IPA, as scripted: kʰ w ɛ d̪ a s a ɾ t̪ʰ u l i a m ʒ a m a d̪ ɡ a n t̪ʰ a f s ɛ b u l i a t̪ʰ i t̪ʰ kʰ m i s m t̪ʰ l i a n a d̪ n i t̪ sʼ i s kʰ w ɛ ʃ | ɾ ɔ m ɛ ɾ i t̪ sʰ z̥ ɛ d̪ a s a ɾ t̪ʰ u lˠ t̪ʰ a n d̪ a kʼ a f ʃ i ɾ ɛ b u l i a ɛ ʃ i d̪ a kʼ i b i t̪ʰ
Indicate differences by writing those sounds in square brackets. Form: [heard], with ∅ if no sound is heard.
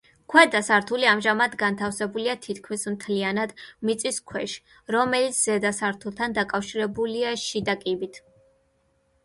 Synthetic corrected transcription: kʰ w ɛ d̪ a s a ɾ t̪ʰ u l i a m ʒ a m a d̪ ɡ a n t̪ʰ a f s ɛ b u l i a t̪ʰ i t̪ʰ kʰ m i s m t̪ʰ l i a n a d̪ [m] i t̪ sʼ i s kʰ w ɛ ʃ | ɾ ɔ m ɛ [l] i t̪ sʰ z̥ ɛ d̪ a s a ɾ t̪ʰ u lˠ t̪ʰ a n d̪ a kʼ a f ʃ i ɾ ɛ b u l i a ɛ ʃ i d̪ a kʼ i b i t̪ʰ

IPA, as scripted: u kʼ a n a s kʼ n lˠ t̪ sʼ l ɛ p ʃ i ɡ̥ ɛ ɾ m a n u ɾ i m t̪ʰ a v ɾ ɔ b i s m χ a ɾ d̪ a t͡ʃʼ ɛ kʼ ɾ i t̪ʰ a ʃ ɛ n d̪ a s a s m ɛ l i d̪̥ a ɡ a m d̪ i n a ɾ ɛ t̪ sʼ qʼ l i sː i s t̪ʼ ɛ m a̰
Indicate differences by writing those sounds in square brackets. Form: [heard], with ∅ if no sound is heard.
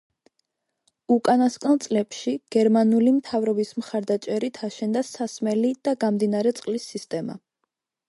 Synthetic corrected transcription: u kʼ a n a s kʼ n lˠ t̪ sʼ l ɛ p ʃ i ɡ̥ ɛ ɾ m a n u [l] i m t̪ʰ a v ɾ ɔ b i s m χ a ɾ d̪ a t͡ʃʼ ɛ [∅] ɾ i t̪ʰ a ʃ ɛ n d̪ a s a s m ɛ l i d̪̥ a ɡ a m d̪ i n a ɾ ɛ t̪ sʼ qʼ l i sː i s t̪ʼ ɛ m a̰

